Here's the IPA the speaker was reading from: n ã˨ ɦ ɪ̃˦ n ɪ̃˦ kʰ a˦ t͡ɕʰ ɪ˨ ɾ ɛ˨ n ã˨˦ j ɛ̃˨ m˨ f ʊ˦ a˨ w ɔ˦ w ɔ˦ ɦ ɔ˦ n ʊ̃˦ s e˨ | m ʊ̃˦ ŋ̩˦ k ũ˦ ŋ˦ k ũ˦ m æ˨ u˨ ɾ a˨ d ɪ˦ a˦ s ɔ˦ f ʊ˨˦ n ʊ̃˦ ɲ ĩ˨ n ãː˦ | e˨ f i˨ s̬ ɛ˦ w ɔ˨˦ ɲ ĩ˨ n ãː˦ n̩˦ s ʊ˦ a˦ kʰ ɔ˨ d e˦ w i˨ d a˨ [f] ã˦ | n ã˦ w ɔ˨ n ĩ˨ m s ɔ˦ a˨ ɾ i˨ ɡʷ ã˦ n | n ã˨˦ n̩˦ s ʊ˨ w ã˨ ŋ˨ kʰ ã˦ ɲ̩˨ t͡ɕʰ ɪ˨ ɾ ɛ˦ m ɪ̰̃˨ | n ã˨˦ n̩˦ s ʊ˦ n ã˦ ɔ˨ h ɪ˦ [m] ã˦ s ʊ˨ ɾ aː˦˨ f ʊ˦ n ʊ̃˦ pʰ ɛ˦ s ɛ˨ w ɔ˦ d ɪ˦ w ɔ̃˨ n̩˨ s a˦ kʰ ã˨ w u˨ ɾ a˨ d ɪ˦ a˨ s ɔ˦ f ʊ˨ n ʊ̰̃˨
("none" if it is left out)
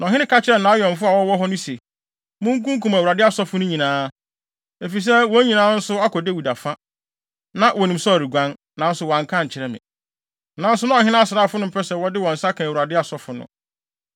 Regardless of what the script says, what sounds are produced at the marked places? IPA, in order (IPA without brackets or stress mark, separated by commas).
f, n